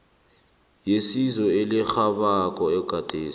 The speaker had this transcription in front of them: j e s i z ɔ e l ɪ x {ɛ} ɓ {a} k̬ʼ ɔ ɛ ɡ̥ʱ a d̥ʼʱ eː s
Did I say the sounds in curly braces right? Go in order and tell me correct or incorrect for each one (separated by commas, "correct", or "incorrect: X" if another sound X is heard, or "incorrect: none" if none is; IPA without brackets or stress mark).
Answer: incorrect: a, correct